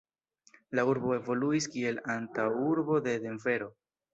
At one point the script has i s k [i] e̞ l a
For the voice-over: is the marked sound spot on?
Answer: yes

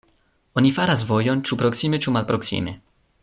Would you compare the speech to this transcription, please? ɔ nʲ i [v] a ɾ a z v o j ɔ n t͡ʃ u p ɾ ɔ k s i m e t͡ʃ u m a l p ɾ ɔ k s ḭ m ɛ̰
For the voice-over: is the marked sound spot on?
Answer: no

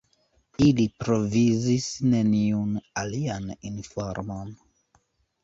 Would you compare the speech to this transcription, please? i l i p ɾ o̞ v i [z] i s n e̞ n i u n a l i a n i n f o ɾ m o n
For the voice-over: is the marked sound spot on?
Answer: yes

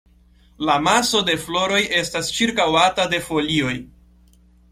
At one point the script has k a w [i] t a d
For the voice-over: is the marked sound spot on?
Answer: no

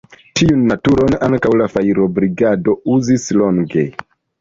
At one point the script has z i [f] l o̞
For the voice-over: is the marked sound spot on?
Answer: no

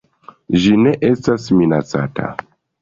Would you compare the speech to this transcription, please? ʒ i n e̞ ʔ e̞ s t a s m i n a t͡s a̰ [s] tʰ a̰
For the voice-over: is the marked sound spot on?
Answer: no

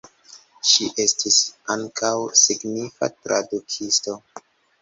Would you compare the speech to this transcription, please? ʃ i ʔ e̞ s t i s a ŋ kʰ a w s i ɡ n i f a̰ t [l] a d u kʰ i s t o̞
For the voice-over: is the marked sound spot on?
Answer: no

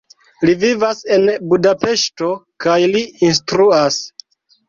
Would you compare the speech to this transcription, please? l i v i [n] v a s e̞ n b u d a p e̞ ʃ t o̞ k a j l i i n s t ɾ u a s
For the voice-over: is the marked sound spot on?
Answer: no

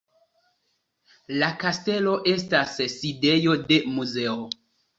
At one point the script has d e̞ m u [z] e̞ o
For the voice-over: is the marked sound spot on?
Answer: yes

